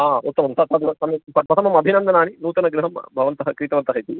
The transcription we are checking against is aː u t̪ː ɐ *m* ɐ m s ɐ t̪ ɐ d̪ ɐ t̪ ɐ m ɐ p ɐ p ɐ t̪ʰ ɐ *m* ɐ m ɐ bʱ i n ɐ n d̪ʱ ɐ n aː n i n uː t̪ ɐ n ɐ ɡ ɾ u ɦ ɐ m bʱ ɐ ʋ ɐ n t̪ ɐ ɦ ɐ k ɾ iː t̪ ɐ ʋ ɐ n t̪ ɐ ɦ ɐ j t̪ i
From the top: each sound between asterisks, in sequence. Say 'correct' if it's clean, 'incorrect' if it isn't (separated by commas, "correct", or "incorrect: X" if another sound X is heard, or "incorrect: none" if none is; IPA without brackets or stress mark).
correct, correct